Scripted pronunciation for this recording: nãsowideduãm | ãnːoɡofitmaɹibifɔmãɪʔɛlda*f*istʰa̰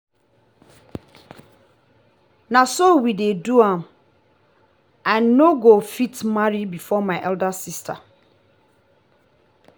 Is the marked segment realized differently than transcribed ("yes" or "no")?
yes